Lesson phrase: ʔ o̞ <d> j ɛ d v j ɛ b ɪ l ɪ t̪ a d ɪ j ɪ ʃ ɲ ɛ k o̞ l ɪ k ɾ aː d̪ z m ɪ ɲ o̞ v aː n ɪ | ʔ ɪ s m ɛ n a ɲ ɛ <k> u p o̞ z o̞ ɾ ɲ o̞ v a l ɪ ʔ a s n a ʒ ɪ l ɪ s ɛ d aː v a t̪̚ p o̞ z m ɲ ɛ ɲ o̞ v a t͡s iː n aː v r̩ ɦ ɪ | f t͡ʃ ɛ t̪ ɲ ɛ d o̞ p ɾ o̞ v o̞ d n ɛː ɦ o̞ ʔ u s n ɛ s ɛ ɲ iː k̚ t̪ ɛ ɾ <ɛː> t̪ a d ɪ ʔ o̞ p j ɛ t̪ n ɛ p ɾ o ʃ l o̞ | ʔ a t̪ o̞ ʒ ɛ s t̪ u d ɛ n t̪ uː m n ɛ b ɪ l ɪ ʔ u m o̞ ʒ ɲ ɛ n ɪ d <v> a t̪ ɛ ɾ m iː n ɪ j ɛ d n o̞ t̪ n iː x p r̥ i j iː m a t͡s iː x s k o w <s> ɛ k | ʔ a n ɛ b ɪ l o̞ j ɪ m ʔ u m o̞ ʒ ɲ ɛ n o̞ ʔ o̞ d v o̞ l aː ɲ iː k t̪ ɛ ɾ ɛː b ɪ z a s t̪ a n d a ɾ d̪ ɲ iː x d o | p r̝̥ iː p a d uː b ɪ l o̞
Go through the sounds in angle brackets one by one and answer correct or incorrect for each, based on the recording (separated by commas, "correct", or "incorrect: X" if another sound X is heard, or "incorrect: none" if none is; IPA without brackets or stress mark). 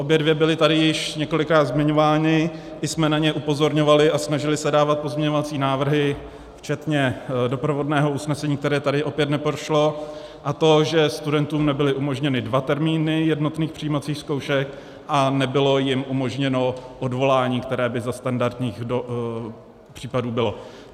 incorrect: b, incorrect: ʔ, correct, correct, incorrect: ʃ